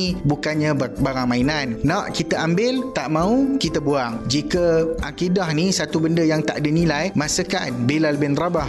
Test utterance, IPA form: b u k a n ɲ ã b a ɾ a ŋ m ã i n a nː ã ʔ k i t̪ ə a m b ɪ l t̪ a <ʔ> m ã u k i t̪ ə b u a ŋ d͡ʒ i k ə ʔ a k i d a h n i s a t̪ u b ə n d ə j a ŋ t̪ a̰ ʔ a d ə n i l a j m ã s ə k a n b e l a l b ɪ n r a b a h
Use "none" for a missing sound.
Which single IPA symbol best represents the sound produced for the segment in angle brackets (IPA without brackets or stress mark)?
ʔ